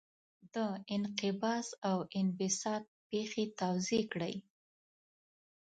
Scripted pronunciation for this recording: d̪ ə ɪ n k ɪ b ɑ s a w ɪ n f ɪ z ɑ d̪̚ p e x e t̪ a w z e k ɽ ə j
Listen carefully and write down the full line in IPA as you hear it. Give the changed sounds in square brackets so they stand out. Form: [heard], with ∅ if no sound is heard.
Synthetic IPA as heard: d̪ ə ɪ n [q] ɪ b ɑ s a w ɪ n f ɪ [s] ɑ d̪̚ p e x e t̪ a w z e k ɽ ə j

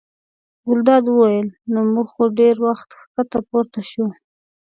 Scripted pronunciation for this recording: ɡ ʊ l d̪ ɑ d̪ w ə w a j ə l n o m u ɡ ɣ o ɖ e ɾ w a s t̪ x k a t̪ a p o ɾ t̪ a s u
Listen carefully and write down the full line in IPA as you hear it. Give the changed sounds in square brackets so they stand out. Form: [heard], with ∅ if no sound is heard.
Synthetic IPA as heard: ɡ ʊ l d̪ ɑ d̪ w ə w a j ə l n o m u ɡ [x] o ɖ e ɾ w a [x] t̪ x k a t̪ a p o ɾ t̪ a [ʃ] u

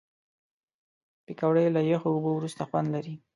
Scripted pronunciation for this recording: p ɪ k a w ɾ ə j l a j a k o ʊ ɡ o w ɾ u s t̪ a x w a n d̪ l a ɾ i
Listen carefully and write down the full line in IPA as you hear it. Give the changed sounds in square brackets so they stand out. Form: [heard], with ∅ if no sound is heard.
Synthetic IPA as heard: p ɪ k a w [ɽ] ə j l a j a [x] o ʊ [b] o w ɾ u s t̪ a x w a n d̪ l a ɾ i

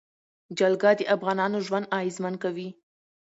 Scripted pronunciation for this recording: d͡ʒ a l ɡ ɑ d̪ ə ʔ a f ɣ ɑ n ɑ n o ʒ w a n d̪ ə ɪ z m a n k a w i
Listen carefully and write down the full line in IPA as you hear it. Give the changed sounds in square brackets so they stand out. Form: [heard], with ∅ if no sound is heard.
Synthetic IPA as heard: d͡ʒ a l ɡ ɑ d̪ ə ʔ a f ɣ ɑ n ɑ n o ʒ w a n d̪ [ɑ] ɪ z m a n k a w i

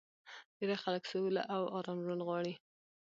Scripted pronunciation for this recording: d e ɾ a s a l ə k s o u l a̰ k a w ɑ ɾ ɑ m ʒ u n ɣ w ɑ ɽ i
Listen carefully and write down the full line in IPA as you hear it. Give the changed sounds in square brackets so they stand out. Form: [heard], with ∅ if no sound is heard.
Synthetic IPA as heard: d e ɾ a [x] a l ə k s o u l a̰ [ʔ] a w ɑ ɾ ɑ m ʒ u n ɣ w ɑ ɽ i

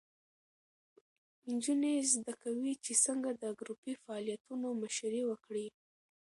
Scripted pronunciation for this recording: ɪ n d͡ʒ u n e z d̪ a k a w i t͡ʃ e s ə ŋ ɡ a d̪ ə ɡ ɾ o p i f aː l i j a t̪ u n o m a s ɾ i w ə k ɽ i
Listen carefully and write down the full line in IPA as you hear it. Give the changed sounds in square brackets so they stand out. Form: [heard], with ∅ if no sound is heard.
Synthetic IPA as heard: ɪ n d͡ʒ u n e z d̪ a k a w i t͡ʃ e s ə ŋ ɡ a d̪ ə ɡ ɾ [u] p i f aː l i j a t̪ u n o m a [ʃ] ɾ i w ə k ɽ i

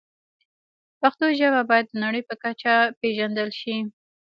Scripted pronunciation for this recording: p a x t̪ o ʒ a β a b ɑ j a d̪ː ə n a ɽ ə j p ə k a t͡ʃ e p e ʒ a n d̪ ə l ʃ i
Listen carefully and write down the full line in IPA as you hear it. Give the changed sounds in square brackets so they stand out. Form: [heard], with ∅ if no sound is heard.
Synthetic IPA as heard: p a x t̪ o ʒ a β a b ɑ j a d̪ː ə n a ɽ ə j p ə k a t͡ʃ [a] p e ʒ a n d̪ ə l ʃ i

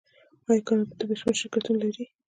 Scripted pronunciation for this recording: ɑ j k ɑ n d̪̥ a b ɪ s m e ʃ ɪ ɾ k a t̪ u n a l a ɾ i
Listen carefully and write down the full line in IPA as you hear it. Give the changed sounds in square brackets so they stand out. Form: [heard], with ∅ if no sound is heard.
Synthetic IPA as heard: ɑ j k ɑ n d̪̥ [ə] b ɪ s m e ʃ ɪ ɾ k a t̪ u n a l a ɾ i

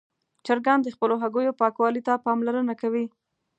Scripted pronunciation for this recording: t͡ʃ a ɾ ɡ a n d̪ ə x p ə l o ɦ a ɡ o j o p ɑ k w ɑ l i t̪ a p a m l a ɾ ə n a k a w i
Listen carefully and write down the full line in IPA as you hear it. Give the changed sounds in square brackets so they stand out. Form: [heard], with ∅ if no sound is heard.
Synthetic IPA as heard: t͡ʃ a ɾ ɡ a n d̪ ə x p ə l o ɦ a ɡ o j o p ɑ k w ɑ l i t̪ a p [ɑ] m l a ɾ ə n a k a w i

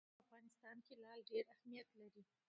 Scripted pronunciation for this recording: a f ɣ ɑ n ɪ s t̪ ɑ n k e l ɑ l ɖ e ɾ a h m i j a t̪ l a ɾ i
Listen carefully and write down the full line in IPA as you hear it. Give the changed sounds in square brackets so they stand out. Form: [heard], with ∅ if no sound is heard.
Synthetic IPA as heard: a f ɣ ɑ n ɪ s t̪ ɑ n k e l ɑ l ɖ e ɾ a h m i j a t̪ l a ɾ i

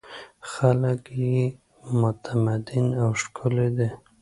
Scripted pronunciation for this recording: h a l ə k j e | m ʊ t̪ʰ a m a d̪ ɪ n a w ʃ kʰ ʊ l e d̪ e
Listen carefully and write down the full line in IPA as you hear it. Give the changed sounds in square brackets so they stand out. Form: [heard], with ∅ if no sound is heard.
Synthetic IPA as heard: [x] a l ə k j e | m ʊ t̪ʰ a m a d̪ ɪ n a w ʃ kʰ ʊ l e d̪ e

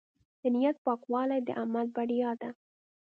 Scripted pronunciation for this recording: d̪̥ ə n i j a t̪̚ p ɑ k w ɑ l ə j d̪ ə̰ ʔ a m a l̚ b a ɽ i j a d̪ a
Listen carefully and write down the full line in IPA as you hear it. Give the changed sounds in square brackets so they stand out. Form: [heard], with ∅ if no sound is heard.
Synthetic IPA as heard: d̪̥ ə n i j a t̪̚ p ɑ k w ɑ l [a] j d̪ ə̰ ʔ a m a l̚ b a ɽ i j [ɑ] d̪ a

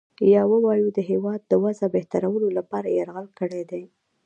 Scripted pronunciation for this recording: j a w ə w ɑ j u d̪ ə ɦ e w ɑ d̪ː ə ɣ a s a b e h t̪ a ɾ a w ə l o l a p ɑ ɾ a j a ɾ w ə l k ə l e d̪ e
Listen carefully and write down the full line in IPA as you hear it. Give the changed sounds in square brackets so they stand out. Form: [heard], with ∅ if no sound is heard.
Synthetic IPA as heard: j [ɑ] w ə w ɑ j u d̪ ə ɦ e w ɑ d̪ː ə [w] a [z] a b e h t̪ a ɾ a w ə l o l a p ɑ ɾ a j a ɾ [ɣ] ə l k ə [ɽ] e d̪ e

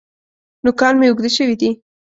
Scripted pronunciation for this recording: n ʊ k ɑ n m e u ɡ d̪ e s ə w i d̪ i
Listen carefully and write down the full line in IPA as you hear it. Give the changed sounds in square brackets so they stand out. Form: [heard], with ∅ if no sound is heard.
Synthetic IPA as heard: n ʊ k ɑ n m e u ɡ d̪ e [ʃ] ə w i d̪ i

